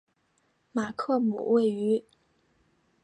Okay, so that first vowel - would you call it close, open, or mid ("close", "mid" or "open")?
open